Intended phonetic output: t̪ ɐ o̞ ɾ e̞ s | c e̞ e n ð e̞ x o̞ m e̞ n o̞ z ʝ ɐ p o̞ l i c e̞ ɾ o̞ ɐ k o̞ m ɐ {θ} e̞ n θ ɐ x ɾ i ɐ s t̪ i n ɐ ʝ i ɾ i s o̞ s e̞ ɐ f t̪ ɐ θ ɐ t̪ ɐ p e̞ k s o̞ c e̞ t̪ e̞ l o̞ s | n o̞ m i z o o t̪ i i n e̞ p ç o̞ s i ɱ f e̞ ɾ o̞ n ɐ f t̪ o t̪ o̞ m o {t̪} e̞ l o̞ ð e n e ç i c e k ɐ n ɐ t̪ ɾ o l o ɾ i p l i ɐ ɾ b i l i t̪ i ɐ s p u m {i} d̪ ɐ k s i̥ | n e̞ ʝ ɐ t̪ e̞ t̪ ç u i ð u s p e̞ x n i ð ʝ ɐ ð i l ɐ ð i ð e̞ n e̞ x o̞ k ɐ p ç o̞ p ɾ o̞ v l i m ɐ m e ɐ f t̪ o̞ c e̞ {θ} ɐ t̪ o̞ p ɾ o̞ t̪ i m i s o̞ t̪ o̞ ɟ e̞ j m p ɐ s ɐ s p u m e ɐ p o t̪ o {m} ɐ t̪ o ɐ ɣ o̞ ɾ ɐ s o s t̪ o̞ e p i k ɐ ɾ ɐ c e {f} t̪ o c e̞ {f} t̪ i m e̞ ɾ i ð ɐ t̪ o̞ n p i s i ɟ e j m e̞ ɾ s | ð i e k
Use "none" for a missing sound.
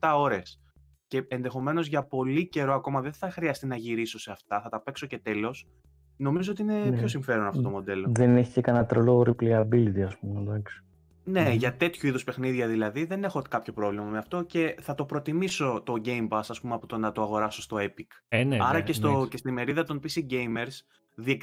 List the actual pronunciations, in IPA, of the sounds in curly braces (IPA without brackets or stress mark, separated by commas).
ð, d̪, e, θ, n, s, s